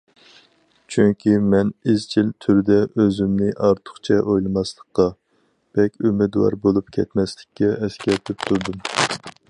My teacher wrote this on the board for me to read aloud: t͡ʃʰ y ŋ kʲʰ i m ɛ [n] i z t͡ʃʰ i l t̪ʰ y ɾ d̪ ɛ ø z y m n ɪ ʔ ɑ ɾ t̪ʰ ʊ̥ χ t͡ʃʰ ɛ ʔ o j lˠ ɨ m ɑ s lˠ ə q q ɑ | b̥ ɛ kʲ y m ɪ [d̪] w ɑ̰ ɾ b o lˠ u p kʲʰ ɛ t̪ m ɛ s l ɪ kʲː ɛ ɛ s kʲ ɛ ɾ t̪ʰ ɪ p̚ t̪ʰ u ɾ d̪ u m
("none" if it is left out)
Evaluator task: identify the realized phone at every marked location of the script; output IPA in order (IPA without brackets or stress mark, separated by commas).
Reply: n, d̪